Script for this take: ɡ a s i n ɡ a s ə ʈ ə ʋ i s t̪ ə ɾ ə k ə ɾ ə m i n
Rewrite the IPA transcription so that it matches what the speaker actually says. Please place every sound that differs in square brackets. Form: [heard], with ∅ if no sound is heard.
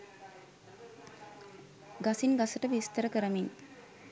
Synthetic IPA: ɡ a s i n ɡ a s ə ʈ ə ʋ i s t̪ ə ɾ ə k ə ɾ ə m i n